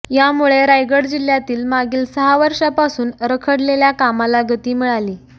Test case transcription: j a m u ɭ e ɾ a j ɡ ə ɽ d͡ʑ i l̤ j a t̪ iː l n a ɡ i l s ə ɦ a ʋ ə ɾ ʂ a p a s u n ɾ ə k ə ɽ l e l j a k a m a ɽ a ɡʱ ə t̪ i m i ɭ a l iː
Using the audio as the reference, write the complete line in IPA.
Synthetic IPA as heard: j a m u ɭ e ɾ a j ɡ ə ɽ d͡ʑ i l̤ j a t̪ iː l m a ɡ iː l s ə ɦ a ʋ ə ɾ ʂ a p a s uː n ɾ ə kʰ ə ɽ l e l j a k a m a l a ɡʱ ə t̪ iː m i ɭ a l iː

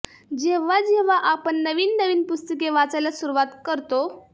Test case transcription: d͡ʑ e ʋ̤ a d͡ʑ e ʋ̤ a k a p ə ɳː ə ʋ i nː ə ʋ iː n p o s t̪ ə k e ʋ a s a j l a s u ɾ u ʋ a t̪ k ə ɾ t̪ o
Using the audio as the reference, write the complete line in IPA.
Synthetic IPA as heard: d͡ʑ e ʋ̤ a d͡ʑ e ʋ̤ a ʔ a p ə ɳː ə ʋ iː nː ə ʋ iː n p u s t̪ ə k e ʋ a t͡s a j l a s u ɾ u ʋ a t̪ k ə ɾ t̪ o

